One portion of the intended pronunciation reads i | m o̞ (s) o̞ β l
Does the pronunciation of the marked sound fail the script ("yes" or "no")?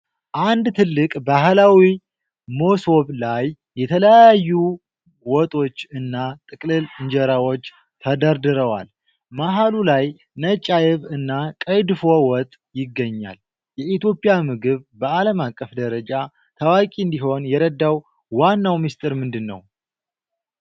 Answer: no